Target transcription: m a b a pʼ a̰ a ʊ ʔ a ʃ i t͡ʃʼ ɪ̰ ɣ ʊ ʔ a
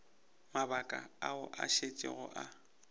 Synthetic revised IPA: m a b a kʼ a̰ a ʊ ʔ a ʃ e t͡ʃʼ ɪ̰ ɣ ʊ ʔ a